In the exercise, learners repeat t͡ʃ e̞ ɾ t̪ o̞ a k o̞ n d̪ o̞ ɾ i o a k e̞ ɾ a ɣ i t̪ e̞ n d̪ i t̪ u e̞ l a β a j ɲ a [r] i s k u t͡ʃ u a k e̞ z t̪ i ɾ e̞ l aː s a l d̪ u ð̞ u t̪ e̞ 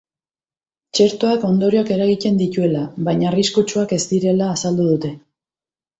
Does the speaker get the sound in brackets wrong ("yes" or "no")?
no